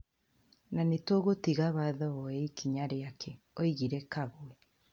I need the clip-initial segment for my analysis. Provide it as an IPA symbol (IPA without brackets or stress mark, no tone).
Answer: n